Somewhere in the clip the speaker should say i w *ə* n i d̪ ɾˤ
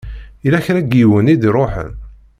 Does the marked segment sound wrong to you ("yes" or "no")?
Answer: no